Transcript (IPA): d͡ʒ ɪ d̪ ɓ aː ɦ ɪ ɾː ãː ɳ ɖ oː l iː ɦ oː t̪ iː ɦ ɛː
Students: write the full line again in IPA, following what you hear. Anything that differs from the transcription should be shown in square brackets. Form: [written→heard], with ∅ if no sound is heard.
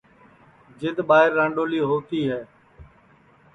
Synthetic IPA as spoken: d͡ʒ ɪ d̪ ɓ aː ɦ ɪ ɾː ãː ɳ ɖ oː l iː ɦ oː t̪ iː ɦ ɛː